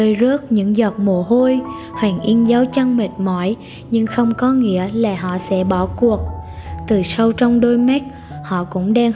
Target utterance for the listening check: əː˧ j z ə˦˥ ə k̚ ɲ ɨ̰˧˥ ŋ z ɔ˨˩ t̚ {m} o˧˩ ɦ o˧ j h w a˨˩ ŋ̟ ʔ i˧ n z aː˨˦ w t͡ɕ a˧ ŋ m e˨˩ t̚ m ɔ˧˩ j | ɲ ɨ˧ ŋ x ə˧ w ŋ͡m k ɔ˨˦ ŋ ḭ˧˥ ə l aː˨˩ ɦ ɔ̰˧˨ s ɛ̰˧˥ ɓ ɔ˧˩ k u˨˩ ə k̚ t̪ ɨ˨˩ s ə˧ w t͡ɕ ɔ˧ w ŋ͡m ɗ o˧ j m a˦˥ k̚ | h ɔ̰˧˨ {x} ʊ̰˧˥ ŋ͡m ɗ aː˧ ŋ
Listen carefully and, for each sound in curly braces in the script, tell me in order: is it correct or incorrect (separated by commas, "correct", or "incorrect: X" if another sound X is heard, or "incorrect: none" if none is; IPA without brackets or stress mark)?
correct, incorrect: k